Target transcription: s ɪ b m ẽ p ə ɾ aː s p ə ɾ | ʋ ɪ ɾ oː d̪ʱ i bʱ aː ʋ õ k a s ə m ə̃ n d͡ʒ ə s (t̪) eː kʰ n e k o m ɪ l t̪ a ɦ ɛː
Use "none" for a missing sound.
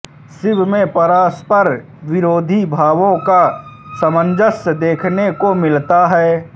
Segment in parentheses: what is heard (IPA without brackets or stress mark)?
d̪